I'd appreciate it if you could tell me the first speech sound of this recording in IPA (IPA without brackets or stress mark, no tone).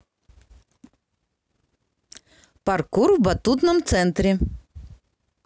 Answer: p